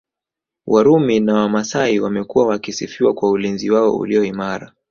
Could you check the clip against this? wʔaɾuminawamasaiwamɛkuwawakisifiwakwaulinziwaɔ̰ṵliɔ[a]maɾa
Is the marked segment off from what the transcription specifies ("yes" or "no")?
yes